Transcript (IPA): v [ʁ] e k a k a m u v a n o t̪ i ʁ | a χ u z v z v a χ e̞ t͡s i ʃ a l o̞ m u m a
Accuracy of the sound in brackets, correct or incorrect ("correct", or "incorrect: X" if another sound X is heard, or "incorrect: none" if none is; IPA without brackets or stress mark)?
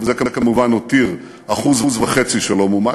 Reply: incorrect: z